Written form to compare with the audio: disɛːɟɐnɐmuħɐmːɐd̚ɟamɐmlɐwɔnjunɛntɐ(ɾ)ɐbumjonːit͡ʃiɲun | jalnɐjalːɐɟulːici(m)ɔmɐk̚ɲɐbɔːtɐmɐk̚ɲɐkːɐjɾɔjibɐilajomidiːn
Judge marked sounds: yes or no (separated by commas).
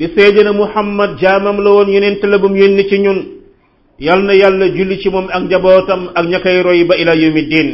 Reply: no, yes